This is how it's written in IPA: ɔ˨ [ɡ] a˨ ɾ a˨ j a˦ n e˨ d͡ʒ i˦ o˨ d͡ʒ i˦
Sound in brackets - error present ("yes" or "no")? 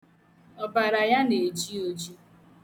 yes